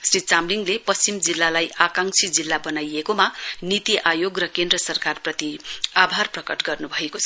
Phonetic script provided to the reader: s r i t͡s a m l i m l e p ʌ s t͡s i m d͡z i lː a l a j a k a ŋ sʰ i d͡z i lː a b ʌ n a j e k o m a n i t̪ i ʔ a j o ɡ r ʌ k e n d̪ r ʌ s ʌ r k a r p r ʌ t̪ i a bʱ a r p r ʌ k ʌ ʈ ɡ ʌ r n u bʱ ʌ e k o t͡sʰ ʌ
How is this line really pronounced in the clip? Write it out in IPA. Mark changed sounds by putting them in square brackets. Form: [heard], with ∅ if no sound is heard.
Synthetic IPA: s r i t͡s a m l i [ŋ] l e p ʌ s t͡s i m d͡z i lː a l a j a k a ŋ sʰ i d͡z i lː a b ʌ n a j e k o m a n i t̪ i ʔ a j o ɡ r ʌ k e n d̪ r ʌ s ʌ r k a r p r ʌ t̪ i a bʱ a r p r ʌ k ʌ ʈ ɡ ʌ r n u bʱ ʌ e k o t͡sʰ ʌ